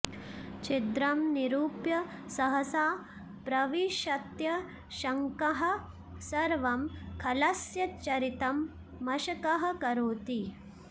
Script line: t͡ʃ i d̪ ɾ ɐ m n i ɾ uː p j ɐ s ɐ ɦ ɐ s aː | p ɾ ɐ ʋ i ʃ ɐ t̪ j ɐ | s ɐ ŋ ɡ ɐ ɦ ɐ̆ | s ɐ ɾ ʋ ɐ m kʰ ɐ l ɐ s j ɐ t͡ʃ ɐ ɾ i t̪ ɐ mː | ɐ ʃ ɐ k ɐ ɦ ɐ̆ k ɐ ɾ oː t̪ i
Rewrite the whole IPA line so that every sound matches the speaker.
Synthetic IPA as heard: t͡ʃ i d̪ ɾ ɐ m n i ɾ uː p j ɐ s ɐ ɦ ɐ s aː | p ɾ ɐ ʋ i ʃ ɐ t̪ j ɐ | ʃ ɐ ŋ k ɐ ɦ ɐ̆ | s ɐ ɾ ʋ ɐ m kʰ ɐ l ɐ s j ɐ t͡ʃ ɐ ɾ i t̪ ɐ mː | ɐ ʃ ɐ k ɐ ɦ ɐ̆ k ɐ ɾ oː t̪ i